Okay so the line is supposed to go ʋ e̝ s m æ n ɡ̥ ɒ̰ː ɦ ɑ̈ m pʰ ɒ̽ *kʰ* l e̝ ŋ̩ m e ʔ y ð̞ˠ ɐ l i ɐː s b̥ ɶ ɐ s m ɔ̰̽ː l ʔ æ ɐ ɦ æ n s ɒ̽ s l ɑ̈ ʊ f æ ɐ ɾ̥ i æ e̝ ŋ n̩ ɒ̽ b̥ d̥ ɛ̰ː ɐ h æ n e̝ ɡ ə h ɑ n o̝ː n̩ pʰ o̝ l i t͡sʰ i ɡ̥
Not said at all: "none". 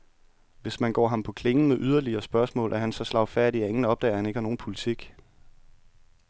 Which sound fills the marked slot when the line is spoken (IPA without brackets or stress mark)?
kʰ